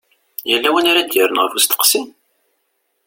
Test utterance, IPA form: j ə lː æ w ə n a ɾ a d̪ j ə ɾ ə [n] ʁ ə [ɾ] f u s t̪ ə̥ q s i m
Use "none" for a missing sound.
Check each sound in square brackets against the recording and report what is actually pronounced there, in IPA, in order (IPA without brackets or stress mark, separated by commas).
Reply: n, ɾ